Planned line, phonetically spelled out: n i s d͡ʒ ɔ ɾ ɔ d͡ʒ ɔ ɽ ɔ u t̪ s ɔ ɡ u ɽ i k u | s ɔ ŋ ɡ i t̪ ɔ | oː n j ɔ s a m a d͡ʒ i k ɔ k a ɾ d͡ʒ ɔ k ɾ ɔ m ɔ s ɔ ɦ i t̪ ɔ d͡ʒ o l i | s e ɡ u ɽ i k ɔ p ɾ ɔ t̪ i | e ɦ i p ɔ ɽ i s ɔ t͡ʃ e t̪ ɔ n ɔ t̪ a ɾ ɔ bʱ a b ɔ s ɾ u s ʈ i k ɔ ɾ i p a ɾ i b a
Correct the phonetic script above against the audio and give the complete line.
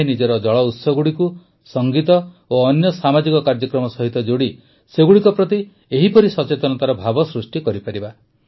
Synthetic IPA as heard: n i d͡ʒ ɔ ɾ ɔ d͡ʒ ɔ ɭ ɔ u t̪ s ɔ ɡ u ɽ i k u | s ɔ ŋ ɡ i t̪ ɔ | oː n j ɔ s a m a d͡ʒ i k ɔ k a ɾ d͡ʒ ɔ k ɾ ɔ m ɔ s ɔ ɦ i t̪ ɔ d͡ʒ o ɽ i | s e ɡ u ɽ i k ɔ p ɾ ɔ t̪ i | e ɦ i p ɔ ɾ i s ɔ t͡ʃ e t̪ ɔ n ɔ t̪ a ɾ ɔ bʱ a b ɔ s ɾ u s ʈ i k ɔ ɾ i p a ɾ i b a